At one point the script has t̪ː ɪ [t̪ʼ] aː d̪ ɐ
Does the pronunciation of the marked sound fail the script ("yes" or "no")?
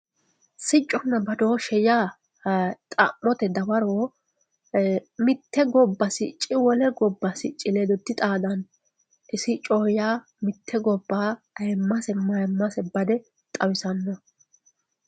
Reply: no